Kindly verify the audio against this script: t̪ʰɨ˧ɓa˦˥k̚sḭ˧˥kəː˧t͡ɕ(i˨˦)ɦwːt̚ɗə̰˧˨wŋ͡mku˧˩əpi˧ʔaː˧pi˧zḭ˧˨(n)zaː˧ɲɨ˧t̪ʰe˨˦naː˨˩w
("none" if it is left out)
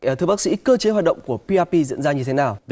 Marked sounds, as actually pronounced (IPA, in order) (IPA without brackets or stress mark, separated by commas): e˨˦, n